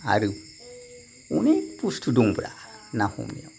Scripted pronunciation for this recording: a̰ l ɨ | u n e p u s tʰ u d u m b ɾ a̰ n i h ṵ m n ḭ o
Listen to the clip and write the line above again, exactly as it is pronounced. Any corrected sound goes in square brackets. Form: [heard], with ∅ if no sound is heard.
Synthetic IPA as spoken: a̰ [ɾ] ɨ | u n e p u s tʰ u d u [ŋ] b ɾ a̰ n [a] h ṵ m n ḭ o